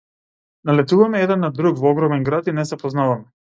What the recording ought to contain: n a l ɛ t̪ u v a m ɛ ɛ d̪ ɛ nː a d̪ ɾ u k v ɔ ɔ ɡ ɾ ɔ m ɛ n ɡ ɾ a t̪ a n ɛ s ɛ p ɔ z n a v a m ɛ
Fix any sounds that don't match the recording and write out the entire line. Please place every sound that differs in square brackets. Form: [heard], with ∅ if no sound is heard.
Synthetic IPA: n a l ɛ t̪ u v a m ɛ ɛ d̪ ɛ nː a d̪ ɾ u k v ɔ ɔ ɡ ɾ ɔ m ɛ n ɡ ɾ a t̪ [i] n ɛ s ɛ p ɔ z n a v a m ɛ